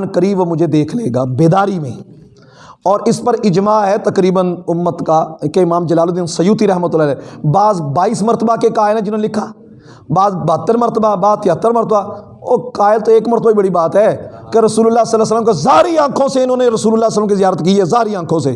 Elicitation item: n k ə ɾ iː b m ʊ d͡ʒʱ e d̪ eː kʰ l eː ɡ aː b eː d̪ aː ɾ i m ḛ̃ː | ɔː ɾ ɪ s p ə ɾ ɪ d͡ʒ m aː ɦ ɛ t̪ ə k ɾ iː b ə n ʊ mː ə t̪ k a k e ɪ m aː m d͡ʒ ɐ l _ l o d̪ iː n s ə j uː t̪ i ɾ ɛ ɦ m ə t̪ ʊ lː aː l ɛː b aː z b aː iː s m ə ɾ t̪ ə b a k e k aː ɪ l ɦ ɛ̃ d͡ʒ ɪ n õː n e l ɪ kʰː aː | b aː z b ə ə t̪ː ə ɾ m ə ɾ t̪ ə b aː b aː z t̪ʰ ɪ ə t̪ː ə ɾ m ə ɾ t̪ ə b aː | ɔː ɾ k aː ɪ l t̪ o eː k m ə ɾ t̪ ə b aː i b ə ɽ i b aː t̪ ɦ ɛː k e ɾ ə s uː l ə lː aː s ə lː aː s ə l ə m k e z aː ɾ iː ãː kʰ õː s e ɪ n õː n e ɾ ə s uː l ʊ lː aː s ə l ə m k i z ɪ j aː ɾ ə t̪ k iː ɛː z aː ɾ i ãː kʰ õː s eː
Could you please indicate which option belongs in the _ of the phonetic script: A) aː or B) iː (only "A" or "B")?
A